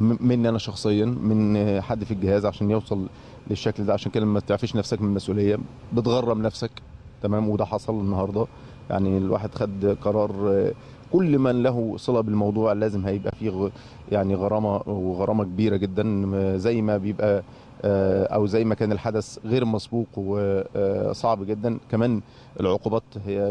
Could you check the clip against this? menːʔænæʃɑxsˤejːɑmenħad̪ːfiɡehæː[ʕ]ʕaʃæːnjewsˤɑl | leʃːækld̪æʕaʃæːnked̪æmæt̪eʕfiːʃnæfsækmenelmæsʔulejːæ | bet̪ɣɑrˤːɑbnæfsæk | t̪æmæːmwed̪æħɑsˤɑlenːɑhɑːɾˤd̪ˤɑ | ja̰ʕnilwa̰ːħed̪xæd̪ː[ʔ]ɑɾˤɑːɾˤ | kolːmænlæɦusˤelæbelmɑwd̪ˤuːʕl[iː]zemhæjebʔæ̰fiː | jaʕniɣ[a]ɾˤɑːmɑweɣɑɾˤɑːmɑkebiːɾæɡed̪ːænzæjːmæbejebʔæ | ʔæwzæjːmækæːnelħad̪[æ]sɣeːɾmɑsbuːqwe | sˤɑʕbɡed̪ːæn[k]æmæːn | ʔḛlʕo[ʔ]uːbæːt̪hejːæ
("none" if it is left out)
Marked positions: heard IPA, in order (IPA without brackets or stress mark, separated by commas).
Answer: z, q, æː, ɑ, æ, k, q